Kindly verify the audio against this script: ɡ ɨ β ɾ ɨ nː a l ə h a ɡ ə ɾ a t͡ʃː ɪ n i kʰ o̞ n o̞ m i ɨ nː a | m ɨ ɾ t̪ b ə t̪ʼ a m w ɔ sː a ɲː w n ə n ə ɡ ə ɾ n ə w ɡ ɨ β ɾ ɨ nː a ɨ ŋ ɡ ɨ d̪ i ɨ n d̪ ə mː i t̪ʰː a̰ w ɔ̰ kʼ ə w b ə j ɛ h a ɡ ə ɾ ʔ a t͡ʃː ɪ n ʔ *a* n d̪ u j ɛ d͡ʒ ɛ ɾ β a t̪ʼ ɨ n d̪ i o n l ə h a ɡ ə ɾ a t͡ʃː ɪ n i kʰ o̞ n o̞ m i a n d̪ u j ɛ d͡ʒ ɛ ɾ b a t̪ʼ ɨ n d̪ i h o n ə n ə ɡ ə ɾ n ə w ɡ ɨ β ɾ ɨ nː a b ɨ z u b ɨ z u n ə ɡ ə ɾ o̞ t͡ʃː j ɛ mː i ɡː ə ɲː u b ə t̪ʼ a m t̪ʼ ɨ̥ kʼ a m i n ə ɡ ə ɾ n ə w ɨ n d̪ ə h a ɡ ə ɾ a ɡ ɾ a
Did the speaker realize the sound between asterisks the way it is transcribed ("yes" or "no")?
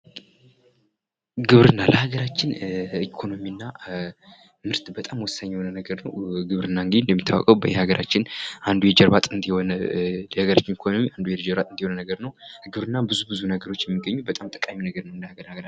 yes